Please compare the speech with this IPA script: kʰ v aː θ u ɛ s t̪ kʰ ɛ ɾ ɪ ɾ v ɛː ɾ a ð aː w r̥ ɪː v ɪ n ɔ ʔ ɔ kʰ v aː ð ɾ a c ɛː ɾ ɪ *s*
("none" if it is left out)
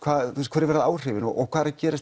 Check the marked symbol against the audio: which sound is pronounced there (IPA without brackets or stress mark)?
s